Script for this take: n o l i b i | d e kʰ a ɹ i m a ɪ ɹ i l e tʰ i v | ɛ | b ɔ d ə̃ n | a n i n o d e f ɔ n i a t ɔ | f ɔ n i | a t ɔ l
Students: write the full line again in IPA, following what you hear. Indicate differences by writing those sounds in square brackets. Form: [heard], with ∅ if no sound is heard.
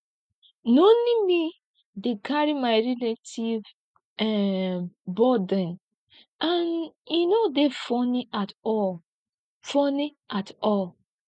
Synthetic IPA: n o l i [m] i | d e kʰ a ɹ i m a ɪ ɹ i l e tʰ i v | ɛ | b ɔ d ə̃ n | a n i n o d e f ɔ n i a t ɔ | f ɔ n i | a t ɔ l